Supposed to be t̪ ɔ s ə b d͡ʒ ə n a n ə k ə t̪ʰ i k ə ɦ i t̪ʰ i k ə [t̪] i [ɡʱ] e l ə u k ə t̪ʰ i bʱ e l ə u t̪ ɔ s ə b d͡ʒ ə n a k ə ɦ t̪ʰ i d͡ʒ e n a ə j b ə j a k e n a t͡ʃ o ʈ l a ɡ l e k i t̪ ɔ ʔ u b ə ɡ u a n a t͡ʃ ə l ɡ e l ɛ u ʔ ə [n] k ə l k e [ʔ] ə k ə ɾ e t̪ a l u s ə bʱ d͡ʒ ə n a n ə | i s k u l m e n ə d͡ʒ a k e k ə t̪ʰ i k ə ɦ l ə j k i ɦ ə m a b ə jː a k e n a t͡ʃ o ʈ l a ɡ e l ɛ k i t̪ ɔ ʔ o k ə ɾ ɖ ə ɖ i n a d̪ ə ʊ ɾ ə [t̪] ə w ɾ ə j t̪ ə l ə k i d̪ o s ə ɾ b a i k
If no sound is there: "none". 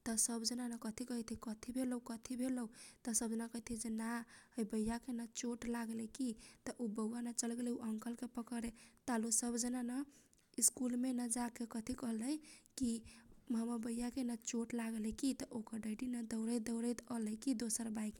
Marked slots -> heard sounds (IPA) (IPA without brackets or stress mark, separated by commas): t̪ʰ, bʱ, ŋ, p, d̪